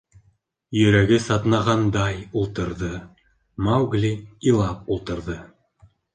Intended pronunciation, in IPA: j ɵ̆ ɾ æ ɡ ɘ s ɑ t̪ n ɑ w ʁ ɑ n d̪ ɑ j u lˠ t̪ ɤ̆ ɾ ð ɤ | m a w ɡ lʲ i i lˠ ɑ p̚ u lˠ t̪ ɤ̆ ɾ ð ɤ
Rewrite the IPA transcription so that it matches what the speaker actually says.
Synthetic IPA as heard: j ɵ̆ ɾ æ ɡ ɘ s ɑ t̪ n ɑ ʁ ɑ n d̪ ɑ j u lˠ t̪ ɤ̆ ɾ ð ɤ | m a w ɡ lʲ i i lˠ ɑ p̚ u lˠ t̪ ɤ̆ ɾ ð ɤ

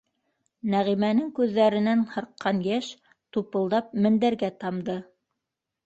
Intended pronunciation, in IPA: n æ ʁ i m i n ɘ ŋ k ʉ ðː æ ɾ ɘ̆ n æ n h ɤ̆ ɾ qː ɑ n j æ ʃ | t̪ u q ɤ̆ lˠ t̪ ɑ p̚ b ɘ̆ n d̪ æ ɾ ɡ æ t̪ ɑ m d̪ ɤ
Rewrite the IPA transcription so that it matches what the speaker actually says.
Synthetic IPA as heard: n æ ʁ i m æ n ɘ ŋ k ʉ ðː æ ɾ ɘ̆ n æ n h ɤ̆ ɾ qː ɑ n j æ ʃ | t̪ u p ɤ̆ lˠ d̪ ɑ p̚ m ɘ̆ n d̪ æ ɾ ɡ æ t̪ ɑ m d̪ ɤ

